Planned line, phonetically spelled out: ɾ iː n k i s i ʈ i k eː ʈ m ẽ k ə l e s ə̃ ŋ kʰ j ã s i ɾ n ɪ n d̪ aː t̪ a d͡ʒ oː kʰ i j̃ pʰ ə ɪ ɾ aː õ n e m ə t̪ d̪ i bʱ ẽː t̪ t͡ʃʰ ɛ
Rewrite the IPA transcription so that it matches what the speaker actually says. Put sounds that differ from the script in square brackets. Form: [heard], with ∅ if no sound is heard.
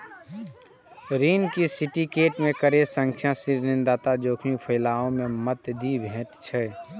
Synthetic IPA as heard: ɾ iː n k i s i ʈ i k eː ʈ m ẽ k ə [ɾ] e s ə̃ ŋ kʰ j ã s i ɾ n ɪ n d̪ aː t̪ a d͡ʒ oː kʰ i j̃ pʰ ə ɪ [l] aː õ [m] e m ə t̪ d̪ i bʱ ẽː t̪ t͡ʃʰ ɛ

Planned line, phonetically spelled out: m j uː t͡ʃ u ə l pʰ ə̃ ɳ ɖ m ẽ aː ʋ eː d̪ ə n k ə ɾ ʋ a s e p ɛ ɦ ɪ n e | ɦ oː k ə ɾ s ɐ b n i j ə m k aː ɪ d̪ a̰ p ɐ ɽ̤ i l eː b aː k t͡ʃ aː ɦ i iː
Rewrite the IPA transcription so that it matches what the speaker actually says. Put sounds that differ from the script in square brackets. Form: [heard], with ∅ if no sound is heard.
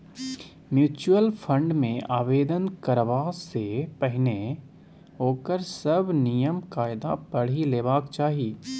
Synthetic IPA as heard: m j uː t͡ʃ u ə l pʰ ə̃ ɳ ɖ m ẽ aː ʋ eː d̪ ə n k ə ɾ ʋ a s e p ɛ ɦ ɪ n e | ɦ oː k ə ɾ s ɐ b n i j ə m k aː ɪ d̪ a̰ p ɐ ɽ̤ i l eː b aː k t͡ʃ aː ɦ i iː

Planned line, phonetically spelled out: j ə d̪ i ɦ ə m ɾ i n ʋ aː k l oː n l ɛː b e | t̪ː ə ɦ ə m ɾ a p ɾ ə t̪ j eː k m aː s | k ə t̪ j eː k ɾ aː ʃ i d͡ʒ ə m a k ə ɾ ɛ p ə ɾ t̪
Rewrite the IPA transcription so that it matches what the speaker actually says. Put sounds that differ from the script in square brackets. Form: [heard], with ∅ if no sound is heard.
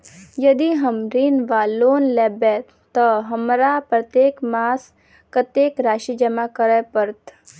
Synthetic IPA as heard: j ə d̪ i ɦ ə m ɾ i n ʋ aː [∅] l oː n l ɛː b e | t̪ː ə ɦ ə m ɾ a p ɾ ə t̪ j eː k m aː s | k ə t̪ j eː k ɾ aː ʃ i d͡ʒ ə m a k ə ɾ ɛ p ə ɾ t̪

